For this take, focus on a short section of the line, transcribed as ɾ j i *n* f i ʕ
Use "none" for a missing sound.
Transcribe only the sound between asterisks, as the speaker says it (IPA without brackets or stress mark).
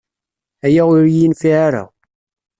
n